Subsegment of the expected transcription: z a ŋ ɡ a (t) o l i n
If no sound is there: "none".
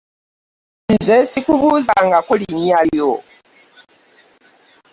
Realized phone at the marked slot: k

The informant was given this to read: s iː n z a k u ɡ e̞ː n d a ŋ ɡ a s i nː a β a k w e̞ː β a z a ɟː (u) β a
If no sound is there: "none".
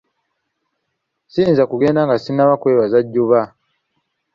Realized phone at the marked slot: u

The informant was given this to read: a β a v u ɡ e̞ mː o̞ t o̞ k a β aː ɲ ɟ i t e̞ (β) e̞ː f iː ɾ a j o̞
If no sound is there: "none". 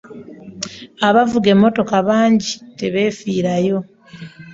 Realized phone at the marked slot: β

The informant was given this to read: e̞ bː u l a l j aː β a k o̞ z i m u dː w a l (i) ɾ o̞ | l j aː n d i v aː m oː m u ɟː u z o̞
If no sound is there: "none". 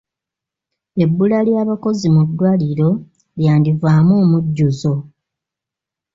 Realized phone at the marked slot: i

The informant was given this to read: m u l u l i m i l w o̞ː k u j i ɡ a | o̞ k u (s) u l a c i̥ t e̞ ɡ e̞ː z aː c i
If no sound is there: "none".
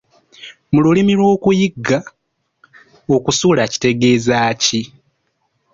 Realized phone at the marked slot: s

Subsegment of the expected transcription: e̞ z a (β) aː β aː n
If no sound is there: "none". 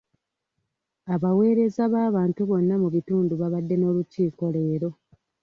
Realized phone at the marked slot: β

